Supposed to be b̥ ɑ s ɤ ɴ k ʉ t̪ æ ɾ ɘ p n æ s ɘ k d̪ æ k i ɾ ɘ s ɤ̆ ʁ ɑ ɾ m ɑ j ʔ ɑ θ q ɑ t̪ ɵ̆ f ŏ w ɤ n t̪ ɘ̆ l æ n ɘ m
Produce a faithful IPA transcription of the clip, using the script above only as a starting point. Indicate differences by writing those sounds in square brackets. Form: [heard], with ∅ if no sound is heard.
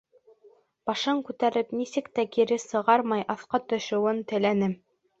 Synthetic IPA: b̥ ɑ [ʃ] ɤ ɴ k ʉ t̪ æ ɾ ɘ p n [i] s ɘ k [t̪] æ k i ɾ ɘ s ɤ̆ ʁ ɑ ɾ m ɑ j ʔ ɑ θ q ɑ t̪ ɵ̆ [ʃ] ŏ w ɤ n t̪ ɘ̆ l æ n ɘ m